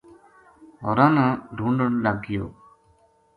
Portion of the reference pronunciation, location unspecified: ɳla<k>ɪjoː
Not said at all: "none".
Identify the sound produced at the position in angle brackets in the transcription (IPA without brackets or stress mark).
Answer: ɡ